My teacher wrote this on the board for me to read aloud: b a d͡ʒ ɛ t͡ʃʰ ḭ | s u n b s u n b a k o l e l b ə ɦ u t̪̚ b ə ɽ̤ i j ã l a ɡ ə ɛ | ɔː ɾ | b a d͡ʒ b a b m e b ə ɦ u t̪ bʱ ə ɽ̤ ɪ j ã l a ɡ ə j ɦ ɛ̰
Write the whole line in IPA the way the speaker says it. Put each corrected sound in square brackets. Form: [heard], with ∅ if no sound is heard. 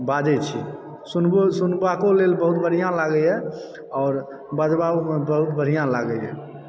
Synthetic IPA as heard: b a d͡ʒ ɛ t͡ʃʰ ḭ | s u n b s u n b a k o l e l b ə ɦ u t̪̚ b ə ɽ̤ i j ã l a ɡ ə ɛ | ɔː ɾ | b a d͡ʒ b a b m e b ə ɦ u t̪ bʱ ə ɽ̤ [i] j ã l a ɡ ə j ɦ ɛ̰